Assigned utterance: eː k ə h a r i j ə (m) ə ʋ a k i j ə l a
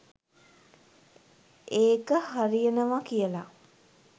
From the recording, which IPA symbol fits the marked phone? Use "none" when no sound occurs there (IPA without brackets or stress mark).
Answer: n